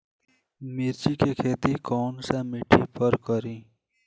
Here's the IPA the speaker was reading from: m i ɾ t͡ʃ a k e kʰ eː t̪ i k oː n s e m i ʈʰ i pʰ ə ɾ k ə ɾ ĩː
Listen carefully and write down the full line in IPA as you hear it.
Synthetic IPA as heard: m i ɾ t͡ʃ i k e kʰ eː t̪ i k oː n s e m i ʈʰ i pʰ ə ɾ k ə ɾ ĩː